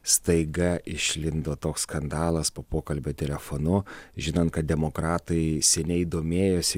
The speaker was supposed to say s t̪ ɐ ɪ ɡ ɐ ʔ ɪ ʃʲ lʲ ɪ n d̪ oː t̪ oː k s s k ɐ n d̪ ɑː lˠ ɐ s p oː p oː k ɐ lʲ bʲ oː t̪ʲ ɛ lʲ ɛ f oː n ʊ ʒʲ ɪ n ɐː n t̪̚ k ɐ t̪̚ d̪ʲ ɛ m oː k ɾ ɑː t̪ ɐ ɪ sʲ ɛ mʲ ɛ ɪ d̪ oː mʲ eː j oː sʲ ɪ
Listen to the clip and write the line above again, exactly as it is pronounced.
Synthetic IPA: s t̪ ɐ ɪ ɡ ɐ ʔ ɪ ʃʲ lʲ ɪ n d̪ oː t̪ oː k s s k ɐ n d̪ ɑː lˠ ɐ s p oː p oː k ɐ lʲ bʲ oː t̪ʲ ɛ lʲ ɛ f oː n ʊ ʒʲ ɪ n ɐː n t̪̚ k ɐ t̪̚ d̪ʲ ɛ m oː k ɾ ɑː t̪ ɐ ɪ sʲ ɛ nʲ ɛ ɪ d̪ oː mʲ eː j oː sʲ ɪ